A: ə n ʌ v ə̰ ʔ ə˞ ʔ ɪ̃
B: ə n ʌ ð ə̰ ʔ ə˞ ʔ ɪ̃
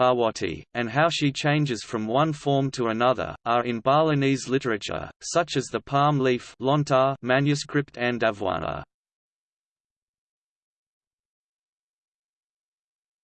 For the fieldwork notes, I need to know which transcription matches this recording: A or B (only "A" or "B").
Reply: B